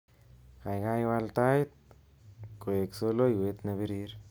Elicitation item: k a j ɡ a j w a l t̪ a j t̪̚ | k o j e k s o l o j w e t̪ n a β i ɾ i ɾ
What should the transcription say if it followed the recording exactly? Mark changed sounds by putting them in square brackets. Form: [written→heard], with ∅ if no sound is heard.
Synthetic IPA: k a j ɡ a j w a l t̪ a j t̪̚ | k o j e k s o l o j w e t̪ n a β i ɾ i ɾ